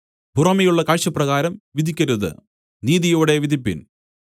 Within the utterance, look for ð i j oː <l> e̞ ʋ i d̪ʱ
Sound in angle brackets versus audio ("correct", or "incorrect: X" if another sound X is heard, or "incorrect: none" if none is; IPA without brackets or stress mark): incorrect: ɽ